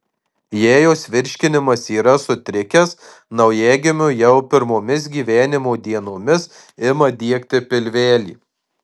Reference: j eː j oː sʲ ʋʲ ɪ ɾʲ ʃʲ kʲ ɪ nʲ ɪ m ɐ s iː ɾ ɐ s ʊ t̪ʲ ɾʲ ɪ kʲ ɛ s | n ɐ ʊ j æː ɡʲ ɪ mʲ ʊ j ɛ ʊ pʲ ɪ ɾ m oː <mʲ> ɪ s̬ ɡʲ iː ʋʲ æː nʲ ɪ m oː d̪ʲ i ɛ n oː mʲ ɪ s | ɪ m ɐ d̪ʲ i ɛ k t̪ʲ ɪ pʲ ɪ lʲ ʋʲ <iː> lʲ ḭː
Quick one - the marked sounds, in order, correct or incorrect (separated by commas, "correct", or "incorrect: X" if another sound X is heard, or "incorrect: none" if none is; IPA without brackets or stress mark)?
correct, incorrect: æː